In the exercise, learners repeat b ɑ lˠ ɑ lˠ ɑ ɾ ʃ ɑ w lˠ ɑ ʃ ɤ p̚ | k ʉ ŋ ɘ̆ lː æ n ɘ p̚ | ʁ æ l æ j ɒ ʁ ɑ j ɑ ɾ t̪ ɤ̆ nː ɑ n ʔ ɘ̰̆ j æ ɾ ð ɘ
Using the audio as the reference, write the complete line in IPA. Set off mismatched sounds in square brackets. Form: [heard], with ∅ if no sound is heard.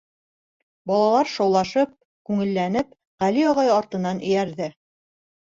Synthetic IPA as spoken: b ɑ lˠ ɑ lˠ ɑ ɾ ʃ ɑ w lˠ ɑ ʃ ɤ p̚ | k ʉ ŋ ɘ̆ lː æ n ɘ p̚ | ʁ æ l [i] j ɒ ʁ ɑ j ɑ ɾ t̪ ɤ̆ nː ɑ n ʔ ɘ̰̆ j æ ɾ ð ɘ